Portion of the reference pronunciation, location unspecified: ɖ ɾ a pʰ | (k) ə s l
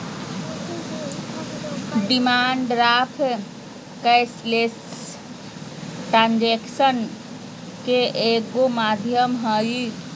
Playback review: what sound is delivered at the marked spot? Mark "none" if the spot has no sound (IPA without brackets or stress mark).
k